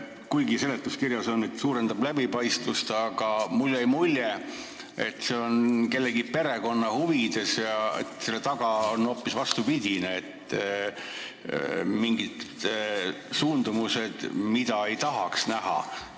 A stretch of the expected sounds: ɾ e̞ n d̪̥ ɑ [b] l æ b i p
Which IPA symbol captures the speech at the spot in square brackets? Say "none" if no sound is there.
b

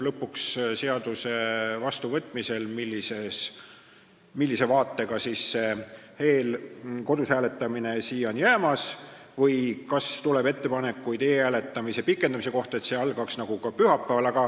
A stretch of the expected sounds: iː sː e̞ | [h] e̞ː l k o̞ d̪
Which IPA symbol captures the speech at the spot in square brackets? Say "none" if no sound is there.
h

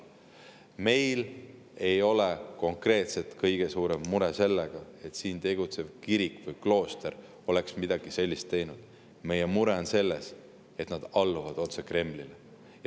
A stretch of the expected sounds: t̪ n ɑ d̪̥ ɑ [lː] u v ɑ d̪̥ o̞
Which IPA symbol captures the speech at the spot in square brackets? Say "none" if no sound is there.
lː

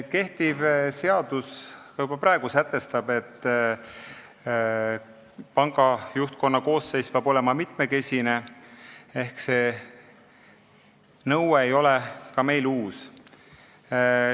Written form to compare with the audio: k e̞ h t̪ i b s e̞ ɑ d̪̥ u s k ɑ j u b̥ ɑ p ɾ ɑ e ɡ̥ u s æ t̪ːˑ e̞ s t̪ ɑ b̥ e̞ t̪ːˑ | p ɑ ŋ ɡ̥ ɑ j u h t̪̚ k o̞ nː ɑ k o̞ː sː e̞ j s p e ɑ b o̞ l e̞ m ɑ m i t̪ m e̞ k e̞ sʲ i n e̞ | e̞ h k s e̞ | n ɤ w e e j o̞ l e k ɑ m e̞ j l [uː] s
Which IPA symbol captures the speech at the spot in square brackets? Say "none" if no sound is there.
uː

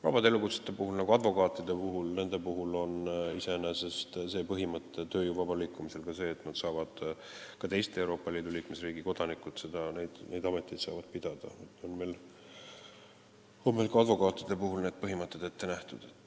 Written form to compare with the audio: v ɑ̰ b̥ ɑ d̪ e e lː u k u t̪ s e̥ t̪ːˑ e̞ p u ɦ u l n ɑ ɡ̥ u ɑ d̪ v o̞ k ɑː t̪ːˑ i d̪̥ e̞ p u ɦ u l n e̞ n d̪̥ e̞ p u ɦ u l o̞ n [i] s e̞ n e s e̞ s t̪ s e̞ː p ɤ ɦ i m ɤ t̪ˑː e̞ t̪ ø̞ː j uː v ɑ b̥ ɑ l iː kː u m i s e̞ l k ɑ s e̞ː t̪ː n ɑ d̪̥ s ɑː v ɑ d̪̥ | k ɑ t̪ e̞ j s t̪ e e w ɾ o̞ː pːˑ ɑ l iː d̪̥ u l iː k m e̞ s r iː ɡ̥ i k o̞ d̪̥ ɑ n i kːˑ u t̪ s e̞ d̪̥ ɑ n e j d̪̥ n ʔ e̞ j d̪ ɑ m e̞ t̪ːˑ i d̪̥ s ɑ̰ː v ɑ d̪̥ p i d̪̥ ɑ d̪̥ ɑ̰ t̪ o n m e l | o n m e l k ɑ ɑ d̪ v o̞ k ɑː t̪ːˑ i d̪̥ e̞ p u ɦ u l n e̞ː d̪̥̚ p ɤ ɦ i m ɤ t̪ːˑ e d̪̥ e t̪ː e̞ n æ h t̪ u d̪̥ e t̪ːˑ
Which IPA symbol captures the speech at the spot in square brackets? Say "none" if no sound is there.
i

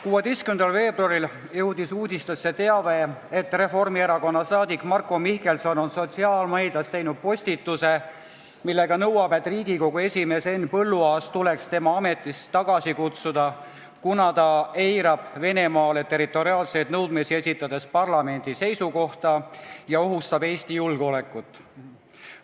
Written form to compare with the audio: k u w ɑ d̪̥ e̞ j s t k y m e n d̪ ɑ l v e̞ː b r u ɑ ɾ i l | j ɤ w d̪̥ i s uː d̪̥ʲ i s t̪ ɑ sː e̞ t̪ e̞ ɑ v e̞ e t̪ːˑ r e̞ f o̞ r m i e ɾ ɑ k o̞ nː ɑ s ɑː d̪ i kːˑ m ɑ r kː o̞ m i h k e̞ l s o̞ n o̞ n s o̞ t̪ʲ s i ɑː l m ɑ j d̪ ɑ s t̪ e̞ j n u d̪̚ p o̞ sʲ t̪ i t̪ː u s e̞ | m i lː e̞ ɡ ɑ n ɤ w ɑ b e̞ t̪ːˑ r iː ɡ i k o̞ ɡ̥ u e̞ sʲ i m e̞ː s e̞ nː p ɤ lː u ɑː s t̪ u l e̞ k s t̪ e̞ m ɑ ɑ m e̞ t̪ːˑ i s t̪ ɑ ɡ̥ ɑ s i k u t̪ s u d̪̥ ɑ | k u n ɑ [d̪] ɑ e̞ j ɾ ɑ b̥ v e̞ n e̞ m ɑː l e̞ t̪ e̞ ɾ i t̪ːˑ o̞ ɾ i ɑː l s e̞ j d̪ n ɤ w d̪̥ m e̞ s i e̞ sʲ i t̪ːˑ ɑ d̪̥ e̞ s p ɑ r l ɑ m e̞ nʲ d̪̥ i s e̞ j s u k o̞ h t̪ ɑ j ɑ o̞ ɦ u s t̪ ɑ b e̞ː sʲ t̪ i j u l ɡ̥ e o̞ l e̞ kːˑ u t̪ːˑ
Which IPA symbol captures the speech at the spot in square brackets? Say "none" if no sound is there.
t̪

